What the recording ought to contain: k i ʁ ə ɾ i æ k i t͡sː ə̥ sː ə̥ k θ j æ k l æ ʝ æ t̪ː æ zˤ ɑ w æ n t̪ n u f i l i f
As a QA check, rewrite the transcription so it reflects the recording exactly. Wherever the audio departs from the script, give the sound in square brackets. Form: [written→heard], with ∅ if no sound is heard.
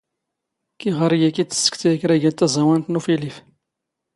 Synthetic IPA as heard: k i ʁ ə ɾ [i→j] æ k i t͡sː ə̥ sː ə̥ k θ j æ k [l→ɾ] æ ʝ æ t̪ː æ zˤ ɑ w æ n t̪ n u f i l i f